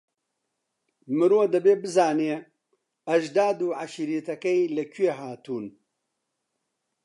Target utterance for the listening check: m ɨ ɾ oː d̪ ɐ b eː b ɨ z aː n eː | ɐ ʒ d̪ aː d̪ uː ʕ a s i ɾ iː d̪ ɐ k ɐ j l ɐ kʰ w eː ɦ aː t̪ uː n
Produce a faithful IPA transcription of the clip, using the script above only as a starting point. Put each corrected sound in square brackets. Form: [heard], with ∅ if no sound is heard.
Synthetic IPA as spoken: m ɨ ɾ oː d̪ ɐ b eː b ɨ z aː n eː | ɐ ʒ d̪ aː d̪ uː ʕ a [ʃ] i ɾ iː [t̪] ɐ k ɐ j l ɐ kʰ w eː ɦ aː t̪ uː n